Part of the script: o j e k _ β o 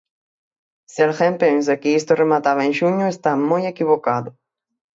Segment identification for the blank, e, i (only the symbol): i